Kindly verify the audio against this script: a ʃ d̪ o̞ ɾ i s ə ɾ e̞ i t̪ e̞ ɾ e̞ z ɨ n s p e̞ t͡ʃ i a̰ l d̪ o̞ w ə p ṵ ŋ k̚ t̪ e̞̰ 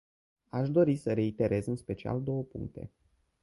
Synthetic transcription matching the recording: a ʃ d̪ o̞ ɾ i s ə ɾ e̞ i t̪ e̞ ɾ e̞ z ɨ n s p e̞ t͡ʃ i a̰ l d̪ o̞ w ə p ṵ ŋ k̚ t̪ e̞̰